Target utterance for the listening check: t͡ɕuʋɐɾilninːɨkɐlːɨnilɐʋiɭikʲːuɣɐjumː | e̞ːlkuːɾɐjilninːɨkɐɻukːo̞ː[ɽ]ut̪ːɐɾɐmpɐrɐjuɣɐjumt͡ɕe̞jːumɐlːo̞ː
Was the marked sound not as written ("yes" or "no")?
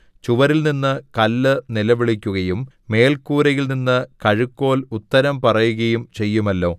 yes